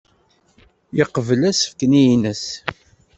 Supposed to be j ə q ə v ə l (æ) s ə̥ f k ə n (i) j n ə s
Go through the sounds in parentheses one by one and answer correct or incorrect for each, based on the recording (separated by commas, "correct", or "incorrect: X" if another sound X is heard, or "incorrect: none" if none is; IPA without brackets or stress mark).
correct, correct